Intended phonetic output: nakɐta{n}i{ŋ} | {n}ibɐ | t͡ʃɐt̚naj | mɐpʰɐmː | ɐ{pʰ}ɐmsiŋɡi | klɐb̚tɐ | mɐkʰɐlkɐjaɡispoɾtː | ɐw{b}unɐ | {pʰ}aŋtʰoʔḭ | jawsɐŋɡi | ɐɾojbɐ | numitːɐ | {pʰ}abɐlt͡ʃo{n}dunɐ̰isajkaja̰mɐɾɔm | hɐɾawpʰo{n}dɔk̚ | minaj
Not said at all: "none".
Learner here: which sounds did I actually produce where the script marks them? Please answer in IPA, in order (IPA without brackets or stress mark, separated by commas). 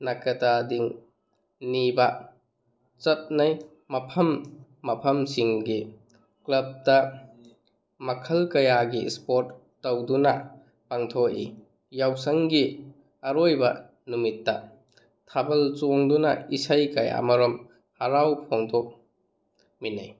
d, ŋ, n, pʰ, d, p, tʰ, ŋ, ŋ